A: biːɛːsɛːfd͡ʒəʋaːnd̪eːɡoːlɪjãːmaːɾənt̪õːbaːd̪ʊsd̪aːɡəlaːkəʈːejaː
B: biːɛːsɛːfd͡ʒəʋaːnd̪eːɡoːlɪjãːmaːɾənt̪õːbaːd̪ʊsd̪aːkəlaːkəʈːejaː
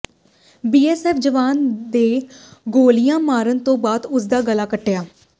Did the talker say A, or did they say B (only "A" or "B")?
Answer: A